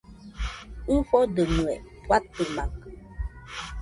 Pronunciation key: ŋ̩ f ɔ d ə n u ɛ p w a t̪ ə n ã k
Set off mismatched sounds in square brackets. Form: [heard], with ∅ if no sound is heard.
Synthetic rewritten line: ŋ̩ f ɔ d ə [m] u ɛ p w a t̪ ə [m] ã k

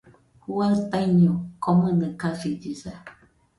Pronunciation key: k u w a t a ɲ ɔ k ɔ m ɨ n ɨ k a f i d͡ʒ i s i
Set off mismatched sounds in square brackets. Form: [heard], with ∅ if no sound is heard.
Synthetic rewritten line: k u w a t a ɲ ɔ k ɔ m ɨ n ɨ k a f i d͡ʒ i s [a]

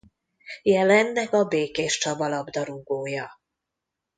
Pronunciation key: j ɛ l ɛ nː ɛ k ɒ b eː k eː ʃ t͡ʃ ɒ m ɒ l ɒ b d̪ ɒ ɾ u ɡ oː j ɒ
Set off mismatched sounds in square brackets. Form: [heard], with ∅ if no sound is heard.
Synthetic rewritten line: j ɛ l ɛ nː ɛ k ɒ b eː k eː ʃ t͡ʃ ɒ [b] ɒ l ɒ b d̪ ɒ ɾ u ɡ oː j ɒ

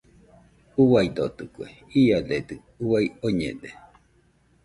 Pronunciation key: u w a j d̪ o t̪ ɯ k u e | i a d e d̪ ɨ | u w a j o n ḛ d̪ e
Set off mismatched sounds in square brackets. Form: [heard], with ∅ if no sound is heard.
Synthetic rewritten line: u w a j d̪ o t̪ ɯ k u e | i a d e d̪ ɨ | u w a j o [ɲ] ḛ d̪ e

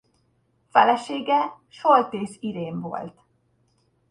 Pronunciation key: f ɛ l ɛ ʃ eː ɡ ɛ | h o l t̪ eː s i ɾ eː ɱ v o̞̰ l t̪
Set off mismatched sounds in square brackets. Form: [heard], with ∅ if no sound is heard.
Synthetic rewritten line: f ɛ l ɛ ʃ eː ɡ ɛ | [ʃ] o l t̪ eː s i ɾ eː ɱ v o̞̰ l t̪

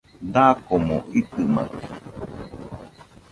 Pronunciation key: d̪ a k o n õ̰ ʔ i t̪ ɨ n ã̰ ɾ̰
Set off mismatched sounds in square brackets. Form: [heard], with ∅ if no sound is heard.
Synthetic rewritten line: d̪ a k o [m] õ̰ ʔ i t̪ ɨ [m] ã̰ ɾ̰

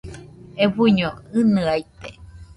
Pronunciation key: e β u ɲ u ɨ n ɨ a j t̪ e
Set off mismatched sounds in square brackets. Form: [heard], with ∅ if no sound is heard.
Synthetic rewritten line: e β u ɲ [o] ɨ n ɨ a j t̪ e

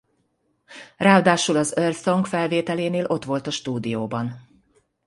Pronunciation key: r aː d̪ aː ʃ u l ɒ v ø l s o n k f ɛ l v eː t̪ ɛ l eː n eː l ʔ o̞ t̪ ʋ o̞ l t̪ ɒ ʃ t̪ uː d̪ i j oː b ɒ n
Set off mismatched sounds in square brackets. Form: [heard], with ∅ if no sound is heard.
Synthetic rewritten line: r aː d̪ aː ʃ u l ɒ [z] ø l s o [ŋ] k f ɛ l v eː t̪ ɛ l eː n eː l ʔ o̞ t̪ ʋ o̞ l t̪ ɒ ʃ t̪ uː d̪ i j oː b ɒ n

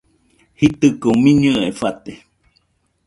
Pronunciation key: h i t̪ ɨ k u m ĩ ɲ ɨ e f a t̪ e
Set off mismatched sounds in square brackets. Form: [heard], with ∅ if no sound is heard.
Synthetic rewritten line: h i t̪ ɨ k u m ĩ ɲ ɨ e f a t̪ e

